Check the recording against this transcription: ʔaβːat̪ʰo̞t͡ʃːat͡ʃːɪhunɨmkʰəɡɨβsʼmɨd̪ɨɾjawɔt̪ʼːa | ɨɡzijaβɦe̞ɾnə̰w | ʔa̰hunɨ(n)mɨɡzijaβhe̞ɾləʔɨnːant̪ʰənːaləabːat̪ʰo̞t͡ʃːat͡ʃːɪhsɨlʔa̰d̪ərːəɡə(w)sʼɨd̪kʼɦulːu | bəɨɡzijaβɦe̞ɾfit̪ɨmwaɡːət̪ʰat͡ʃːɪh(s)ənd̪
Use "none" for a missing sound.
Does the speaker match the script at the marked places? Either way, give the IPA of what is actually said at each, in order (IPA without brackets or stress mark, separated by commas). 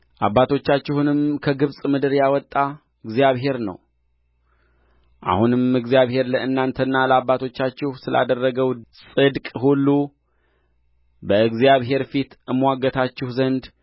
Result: m, w, z